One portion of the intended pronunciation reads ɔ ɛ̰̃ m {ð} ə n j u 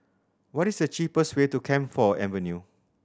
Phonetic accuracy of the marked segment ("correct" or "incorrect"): incorrect